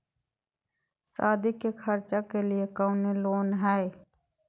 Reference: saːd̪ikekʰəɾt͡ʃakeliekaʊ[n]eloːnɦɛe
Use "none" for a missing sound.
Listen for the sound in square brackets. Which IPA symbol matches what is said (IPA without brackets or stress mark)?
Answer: n